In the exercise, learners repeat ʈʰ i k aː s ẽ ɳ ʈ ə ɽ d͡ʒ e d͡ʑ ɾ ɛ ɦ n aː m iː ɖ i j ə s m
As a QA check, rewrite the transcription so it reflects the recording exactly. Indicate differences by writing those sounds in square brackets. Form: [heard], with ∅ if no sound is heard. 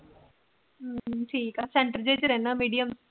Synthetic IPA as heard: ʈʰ [iː] k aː s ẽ ɳ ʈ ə [ɾ] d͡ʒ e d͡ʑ ɾ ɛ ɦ n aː m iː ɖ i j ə [∅] m